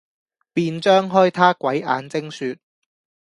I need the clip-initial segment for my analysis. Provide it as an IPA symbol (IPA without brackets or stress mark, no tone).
p